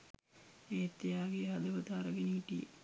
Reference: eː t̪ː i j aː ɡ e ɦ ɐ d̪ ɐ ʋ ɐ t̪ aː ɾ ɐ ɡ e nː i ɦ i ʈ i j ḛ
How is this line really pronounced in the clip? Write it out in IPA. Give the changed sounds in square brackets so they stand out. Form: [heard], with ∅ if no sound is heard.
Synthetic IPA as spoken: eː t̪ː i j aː ɡ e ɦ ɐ d̪ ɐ ʋ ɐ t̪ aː ɾ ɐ ɡ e [n] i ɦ i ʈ i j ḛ